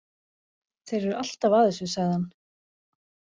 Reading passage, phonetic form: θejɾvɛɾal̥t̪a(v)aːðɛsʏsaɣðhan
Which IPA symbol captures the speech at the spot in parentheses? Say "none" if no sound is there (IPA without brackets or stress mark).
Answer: v